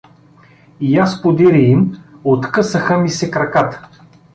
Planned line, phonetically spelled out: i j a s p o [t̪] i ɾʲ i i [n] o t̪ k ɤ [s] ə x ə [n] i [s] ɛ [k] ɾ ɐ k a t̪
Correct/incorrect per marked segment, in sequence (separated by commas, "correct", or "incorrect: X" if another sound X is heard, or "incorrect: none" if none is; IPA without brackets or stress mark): incorrect: d̪, incorrect: m, correct, incorrect: m, correct, correct